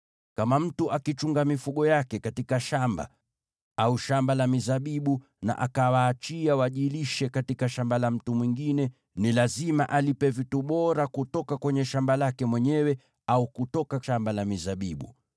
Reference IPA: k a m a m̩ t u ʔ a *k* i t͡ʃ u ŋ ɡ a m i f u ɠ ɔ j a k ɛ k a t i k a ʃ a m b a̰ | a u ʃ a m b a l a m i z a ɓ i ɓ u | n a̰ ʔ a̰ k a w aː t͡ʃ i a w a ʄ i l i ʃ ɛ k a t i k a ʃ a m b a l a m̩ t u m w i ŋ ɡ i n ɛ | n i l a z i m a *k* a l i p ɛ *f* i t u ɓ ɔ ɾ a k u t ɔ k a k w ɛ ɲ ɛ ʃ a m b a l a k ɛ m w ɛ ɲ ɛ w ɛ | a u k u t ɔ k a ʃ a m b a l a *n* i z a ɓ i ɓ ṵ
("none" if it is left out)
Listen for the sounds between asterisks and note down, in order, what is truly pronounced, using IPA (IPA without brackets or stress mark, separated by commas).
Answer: k, ʔ, v, m